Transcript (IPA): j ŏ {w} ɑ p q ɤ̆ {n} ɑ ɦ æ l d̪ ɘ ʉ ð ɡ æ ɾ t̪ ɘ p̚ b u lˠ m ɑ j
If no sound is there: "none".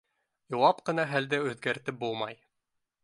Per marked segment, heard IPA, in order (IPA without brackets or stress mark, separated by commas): w, n